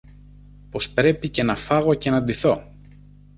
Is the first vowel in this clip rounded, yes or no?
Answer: yes